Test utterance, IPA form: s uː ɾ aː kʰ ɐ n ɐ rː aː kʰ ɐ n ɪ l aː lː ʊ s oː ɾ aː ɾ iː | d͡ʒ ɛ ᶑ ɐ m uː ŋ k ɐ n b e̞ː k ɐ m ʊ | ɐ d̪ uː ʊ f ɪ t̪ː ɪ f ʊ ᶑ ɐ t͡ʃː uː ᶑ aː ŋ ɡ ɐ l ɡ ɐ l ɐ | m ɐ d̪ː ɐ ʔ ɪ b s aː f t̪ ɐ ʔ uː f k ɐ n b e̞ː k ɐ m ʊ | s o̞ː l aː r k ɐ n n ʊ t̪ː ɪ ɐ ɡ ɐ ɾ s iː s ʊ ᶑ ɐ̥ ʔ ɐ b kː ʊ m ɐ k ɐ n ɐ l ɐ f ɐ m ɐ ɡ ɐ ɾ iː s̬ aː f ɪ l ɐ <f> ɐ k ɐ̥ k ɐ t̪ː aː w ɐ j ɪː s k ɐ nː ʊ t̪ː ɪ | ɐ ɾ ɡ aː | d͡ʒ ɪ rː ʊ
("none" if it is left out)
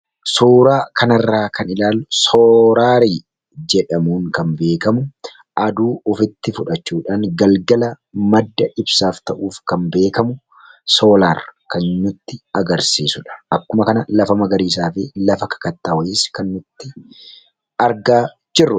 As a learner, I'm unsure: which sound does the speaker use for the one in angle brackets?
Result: f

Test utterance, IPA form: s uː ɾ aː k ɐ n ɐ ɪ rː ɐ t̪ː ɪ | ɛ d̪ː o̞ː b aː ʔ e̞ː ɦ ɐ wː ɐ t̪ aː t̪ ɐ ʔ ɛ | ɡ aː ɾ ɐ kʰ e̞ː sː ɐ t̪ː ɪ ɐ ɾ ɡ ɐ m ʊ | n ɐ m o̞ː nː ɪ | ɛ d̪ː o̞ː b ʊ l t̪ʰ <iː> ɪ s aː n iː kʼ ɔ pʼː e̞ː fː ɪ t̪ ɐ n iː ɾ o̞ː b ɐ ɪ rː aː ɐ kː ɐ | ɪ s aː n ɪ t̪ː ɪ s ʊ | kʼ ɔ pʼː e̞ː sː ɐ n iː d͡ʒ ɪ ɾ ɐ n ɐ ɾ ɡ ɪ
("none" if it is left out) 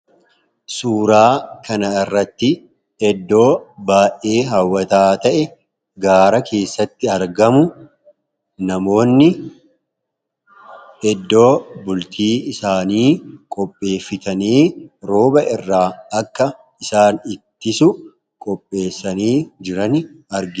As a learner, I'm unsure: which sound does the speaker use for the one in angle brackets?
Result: iː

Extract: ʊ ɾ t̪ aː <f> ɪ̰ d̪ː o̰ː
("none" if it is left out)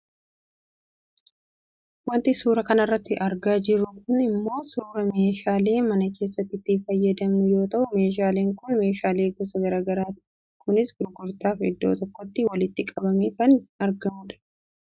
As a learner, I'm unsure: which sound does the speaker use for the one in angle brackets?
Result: f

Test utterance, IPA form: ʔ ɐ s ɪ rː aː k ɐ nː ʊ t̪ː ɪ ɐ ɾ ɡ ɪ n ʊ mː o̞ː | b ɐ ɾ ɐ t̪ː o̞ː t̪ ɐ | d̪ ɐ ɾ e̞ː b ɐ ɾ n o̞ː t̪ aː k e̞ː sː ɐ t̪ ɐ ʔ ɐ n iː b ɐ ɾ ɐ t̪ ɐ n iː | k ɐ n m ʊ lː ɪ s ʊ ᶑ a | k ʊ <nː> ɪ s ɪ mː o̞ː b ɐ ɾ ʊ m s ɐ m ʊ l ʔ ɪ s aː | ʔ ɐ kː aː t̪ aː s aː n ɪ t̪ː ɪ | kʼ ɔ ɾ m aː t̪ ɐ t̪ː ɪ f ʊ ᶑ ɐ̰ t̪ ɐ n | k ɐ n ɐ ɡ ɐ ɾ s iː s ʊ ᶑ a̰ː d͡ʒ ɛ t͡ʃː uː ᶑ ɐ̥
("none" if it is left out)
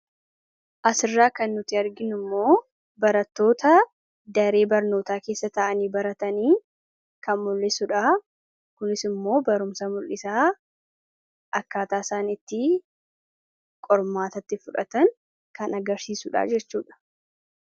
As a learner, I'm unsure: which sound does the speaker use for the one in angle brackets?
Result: n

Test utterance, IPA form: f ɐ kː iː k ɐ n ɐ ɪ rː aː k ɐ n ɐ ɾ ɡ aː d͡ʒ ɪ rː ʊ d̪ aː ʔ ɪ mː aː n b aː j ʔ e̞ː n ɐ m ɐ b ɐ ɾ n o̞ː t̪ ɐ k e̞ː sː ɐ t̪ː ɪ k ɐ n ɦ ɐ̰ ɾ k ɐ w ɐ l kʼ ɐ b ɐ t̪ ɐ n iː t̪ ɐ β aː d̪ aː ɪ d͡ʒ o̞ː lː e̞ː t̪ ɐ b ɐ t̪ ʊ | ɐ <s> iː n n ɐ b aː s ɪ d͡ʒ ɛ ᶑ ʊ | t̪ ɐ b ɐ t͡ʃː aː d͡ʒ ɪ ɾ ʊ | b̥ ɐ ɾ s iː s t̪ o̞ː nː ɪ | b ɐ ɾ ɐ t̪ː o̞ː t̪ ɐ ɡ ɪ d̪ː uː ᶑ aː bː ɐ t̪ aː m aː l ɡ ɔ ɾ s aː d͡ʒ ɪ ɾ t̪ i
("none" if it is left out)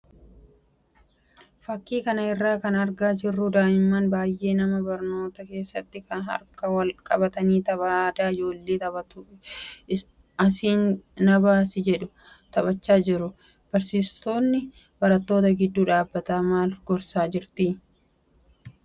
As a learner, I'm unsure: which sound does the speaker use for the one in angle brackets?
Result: s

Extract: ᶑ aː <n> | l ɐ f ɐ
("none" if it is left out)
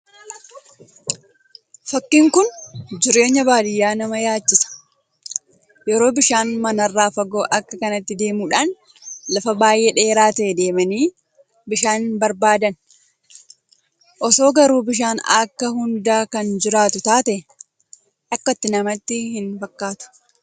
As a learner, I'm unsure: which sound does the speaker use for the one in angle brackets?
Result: n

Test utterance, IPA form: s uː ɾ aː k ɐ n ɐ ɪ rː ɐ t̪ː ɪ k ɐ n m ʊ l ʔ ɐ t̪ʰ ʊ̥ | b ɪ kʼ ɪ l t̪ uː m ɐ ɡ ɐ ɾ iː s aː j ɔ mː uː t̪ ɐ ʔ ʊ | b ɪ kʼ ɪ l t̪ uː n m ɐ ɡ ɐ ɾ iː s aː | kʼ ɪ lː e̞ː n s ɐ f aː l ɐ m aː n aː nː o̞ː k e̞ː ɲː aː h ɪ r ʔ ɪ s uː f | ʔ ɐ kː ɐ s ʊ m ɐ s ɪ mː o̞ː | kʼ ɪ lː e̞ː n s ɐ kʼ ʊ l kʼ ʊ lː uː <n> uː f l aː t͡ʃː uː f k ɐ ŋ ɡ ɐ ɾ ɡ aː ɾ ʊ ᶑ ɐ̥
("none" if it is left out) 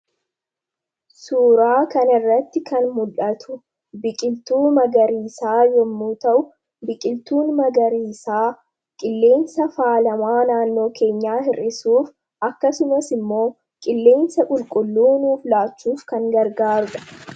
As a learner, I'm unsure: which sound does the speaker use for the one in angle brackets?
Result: n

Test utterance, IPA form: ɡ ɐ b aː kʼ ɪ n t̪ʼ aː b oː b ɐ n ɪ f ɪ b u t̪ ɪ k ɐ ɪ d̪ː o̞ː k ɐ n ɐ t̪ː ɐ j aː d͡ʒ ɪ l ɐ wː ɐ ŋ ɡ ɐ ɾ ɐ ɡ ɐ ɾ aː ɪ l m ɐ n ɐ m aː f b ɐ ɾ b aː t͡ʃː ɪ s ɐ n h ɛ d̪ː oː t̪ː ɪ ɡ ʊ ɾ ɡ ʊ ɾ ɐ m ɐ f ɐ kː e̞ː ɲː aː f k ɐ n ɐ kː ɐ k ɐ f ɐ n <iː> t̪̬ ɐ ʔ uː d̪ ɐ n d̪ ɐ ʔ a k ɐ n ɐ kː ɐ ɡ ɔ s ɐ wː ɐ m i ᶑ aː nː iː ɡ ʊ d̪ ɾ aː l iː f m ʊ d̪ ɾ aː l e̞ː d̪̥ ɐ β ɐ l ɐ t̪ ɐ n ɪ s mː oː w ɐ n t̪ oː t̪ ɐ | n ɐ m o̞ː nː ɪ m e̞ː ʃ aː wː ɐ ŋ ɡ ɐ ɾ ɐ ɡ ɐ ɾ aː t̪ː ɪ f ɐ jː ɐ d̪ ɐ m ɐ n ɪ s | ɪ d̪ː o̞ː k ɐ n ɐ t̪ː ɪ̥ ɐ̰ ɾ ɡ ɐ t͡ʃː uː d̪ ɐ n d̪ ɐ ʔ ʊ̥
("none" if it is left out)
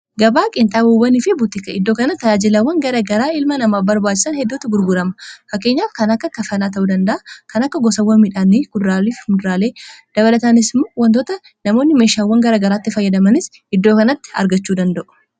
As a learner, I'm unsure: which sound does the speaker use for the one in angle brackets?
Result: aː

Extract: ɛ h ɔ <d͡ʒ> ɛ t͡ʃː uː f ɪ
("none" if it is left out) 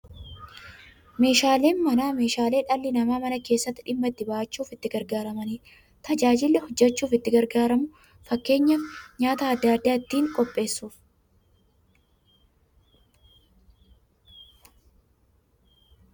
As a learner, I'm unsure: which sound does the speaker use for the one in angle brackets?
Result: d͡ʒː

